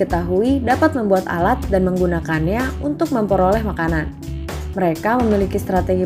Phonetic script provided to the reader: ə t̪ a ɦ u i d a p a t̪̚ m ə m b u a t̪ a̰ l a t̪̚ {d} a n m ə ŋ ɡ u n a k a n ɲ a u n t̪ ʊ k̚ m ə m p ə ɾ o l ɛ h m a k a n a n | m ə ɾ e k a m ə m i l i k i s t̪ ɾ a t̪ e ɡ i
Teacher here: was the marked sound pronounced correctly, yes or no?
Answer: yes